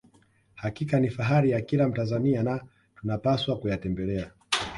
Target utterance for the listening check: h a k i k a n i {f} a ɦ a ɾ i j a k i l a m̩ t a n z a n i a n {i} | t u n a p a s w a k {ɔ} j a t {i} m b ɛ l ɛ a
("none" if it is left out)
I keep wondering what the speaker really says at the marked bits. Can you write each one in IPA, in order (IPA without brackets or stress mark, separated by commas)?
f, a, u, ɛ